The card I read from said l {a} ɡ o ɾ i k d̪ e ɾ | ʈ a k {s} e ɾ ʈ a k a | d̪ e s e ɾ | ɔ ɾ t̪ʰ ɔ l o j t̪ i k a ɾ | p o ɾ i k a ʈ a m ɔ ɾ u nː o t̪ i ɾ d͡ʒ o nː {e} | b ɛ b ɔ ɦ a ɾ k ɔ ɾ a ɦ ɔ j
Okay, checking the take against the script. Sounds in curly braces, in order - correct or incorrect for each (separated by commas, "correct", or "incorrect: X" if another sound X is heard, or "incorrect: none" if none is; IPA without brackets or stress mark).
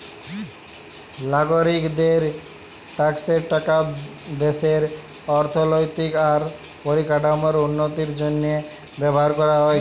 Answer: correct, correct, correct